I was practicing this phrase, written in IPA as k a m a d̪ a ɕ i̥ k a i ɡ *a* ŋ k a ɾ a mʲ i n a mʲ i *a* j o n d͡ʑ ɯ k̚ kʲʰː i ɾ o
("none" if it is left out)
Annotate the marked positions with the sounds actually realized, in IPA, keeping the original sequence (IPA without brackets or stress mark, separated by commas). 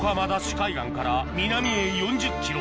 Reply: a, e